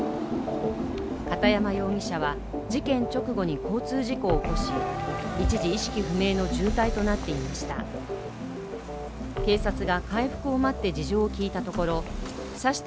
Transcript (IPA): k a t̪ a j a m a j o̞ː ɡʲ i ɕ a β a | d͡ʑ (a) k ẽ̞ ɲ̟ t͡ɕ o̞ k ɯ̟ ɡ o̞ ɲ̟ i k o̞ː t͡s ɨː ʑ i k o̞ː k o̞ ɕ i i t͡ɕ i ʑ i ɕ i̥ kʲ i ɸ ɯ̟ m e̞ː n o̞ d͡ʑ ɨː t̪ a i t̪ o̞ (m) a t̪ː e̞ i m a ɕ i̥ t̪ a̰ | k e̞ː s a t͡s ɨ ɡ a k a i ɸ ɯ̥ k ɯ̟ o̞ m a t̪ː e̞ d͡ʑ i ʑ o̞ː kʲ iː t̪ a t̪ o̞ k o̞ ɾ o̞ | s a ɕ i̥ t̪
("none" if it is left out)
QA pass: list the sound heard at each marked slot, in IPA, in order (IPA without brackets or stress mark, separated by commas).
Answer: i, n